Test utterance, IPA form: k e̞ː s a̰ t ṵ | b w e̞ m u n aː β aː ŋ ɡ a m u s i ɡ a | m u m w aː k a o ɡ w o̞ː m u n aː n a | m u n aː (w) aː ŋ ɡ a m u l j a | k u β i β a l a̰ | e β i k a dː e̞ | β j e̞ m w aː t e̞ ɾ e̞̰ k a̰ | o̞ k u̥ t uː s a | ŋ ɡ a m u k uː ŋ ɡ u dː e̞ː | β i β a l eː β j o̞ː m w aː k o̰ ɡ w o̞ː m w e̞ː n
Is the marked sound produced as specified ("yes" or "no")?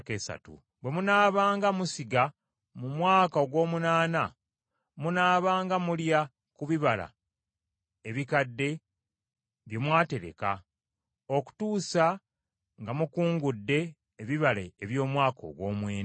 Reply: no